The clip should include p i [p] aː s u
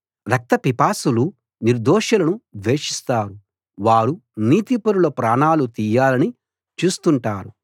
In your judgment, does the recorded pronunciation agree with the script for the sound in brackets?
yes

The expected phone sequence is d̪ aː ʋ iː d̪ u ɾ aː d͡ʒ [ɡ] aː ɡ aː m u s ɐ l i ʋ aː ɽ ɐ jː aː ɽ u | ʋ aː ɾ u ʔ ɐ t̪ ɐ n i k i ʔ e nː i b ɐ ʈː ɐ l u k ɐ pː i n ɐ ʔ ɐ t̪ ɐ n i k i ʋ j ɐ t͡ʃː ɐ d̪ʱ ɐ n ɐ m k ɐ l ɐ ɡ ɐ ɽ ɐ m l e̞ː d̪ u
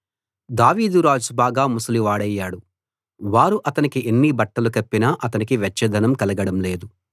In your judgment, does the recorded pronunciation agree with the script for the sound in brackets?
no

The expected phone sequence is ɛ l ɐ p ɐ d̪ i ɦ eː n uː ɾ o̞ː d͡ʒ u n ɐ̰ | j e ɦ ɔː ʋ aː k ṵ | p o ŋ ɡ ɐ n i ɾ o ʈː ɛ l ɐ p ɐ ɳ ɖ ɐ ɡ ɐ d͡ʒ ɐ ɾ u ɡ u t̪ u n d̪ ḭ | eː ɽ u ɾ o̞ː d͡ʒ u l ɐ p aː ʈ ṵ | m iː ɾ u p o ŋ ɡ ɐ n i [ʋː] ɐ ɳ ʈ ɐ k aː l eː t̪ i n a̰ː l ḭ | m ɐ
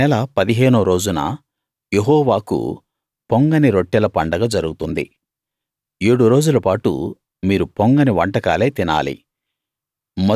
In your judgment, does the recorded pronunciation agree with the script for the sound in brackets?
no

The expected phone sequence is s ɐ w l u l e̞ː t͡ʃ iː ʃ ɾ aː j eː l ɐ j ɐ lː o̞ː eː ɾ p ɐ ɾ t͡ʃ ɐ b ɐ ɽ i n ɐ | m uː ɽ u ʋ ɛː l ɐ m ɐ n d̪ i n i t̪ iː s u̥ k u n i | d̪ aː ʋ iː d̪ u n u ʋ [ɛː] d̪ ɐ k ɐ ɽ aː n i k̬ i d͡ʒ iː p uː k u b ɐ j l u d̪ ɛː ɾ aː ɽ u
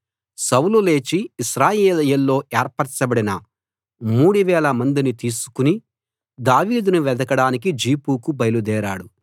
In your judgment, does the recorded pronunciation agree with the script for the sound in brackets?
no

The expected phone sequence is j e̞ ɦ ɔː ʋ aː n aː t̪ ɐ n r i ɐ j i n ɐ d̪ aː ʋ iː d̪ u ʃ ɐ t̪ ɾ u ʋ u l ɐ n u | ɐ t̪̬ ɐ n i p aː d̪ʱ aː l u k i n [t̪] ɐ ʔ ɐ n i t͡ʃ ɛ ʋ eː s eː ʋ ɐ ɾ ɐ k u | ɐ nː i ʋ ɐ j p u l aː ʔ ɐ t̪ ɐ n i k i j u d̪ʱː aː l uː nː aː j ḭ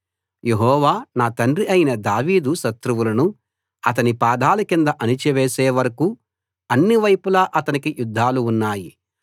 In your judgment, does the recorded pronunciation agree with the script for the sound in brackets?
no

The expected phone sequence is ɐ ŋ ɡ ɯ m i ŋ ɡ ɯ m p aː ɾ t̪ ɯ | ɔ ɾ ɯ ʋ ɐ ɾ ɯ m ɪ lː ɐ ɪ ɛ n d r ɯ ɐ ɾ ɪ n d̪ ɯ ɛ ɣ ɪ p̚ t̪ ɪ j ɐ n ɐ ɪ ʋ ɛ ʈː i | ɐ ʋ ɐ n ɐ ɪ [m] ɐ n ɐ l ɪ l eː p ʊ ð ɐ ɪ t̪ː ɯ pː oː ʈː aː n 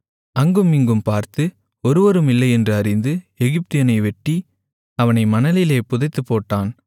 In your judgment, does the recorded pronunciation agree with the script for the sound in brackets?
yes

